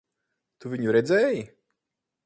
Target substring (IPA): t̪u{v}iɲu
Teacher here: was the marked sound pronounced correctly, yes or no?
yes